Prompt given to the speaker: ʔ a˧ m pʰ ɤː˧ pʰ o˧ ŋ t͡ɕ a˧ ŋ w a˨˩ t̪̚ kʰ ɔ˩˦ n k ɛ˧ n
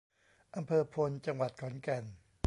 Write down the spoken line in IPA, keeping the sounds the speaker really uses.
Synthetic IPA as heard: ʔ a˧ m pʰ ɤː˧ pʰ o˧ n t͡ɕ a˧ ŋ w a˨˩ t̪̚ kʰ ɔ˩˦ n k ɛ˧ n